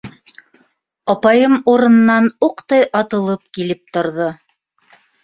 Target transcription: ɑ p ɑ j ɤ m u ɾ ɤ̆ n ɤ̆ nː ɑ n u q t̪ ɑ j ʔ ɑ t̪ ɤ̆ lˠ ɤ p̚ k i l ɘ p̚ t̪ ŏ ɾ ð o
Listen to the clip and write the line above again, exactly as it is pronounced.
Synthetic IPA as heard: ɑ p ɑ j ɤ m u ɾ ɤ̆ n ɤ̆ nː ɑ n u q t̪ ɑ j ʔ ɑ t̪ ɤ̆ lˠ ɤ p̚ k i l ɘ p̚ t̪ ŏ ɾ ð o

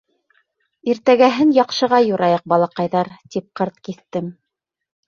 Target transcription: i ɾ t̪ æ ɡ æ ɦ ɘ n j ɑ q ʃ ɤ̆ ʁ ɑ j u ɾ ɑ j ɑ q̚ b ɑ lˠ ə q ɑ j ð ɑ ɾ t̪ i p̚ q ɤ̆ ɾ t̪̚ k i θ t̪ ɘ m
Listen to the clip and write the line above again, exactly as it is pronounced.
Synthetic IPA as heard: i ɾ t̪ æ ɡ æ ɦ ɘ n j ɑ q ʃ ɤ̆ ʁ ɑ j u ɾ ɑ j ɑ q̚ b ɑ lˠ ɑ q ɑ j ð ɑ ɾ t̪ i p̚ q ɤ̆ ɾ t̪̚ k i θ t̪ ɘ m

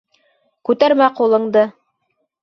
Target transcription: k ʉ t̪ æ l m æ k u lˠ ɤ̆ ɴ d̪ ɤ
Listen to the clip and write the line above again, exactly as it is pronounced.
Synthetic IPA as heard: k ʉ t̪ æ ɾ m æ q u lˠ ɤ̆ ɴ d̪ ɤ

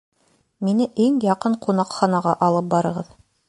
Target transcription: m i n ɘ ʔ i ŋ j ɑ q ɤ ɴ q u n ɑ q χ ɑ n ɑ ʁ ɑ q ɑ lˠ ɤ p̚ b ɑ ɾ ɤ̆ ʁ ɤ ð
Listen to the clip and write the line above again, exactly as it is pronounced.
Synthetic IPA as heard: m i n ɘ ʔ i ŋ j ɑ q ɤ ɴ q u n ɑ q χ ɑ n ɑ ʁ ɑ ʔ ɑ lˠ ɤ p̚ b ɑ ɾ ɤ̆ ʁ ɤ ð

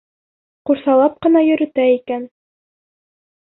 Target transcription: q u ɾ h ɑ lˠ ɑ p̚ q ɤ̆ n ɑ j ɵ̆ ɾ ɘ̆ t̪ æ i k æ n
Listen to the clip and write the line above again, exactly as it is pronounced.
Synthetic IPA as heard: q u ɾ s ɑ lˠ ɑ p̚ q ɤ̆ n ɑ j ɵ̆ ɾ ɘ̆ t̪ æ i k æ n

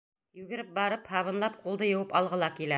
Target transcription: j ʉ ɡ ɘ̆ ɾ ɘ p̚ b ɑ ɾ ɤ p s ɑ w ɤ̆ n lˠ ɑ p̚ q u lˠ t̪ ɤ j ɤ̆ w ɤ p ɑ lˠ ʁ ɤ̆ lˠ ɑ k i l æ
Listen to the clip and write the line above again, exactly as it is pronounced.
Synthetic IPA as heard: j ʉ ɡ ɘ̆ ɾ ɘ p̚ b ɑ ɾ ɤ p h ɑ β ɤ̆ n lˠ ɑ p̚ q u lˠ d̪ ɤ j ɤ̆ w ɤ p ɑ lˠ ʁ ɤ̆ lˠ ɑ k i l æ

